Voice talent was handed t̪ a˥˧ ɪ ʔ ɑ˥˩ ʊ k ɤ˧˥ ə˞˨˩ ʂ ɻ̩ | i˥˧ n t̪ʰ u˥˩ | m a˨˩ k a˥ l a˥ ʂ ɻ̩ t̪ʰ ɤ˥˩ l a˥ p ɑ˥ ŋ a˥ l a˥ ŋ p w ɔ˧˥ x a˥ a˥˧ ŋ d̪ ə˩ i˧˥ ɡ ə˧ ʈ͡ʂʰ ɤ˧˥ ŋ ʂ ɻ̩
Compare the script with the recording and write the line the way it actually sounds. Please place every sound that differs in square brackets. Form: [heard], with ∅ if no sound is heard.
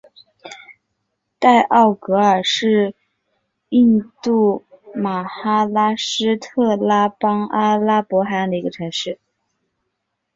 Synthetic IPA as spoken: t̪ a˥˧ ɪ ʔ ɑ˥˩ ʊ k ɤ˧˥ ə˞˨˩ ʂ ɻ̩ | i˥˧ n [t̪] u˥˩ | m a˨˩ [x] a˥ l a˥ ʂ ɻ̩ t̪ʰ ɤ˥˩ l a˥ p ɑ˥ ŋ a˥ l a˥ [∅] p w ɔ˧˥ x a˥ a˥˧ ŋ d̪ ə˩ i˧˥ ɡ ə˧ ʈ͡ʂʰ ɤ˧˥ ŋ ʂ ɻ̩